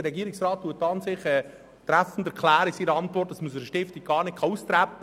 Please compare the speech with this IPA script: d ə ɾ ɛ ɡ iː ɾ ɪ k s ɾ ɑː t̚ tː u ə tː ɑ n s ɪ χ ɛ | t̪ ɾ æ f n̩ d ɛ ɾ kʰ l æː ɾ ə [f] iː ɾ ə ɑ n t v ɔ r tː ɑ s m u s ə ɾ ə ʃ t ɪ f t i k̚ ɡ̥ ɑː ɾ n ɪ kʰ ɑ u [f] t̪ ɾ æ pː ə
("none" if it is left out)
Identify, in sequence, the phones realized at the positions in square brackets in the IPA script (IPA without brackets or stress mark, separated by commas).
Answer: s, s